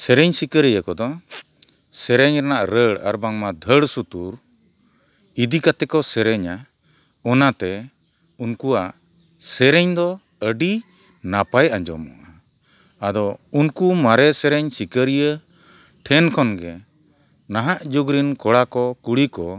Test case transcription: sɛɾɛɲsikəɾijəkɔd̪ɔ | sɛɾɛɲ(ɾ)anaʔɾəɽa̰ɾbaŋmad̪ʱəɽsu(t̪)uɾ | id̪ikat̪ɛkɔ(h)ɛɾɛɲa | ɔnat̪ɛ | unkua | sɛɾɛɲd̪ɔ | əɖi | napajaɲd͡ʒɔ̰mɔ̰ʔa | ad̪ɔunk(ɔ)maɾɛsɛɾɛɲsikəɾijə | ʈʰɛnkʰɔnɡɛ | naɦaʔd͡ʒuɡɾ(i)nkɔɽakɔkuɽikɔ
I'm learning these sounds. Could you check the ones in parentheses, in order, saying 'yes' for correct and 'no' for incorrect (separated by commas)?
yes, yes, no, no, yes